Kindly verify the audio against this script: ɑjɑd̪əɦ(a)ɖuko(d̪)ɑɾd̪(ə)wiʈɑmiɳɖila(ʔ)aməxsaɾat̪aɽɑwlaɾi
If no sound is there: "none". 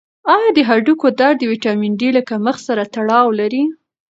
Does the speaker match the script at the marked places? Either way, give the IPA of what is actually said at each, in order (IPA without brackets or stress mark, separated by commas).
a, d̪, ə, k